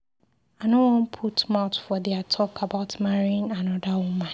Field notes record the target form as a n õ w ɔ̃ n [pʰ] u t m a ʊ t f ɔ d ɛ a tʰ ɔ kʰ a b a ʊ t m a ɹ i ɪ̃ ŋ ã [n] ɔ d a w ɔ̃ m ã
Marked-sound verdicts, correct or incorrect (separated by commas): correct, correct